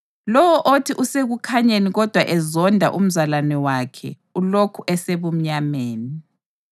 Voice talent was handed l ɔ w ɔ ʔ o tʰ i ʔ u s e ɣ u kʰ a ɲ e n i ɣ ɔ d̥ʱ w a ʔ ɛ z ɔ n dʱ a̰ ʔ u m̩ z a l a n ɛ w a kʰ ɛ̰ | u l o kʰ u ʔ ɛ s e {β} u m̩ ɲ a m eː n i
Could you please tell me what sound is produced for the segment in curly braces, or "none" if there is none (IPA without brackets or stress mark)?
β